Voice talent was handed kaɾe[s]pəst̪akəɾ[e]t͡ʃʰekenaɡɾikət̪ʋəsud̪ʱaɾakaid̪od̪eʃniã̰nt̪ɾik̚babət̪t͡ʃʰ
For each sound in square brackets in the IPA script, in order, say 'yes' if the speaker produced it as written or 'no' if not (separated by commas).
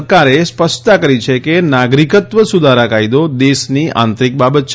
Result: yes, no